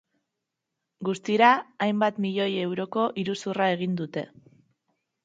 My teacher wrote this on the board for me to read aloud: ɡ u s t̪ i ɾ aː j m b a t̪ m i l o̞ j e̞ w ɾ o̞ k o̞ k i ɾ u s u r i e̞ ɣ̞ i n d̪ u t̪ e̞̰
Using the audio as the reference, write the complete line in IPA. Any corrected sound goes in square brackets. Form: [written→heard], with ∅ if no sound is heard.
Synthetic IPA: ɡ u s t̪ i ɾ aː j m b a t̪ m i [l→ʎ] o̞ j e̞ w ɾ o̞ k o̞ [k→ʔ] i ɾ u s u r [i→a] e̞ ɣ̞ i n d̪ u t̪ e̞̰